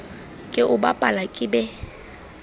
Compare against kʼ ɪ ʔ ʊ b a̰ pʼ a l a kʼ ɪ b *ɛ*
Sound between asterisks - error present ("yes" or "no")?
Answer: no